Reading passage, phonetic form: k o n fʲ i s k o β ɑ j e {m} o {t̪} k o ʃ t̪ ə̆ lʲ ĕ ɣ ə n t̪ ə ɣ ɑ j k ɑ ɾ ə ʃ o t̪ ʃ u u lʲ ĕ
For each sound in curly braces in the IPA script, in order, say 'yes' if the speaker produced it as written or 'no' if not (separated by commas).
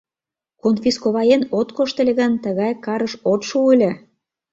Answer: no, yes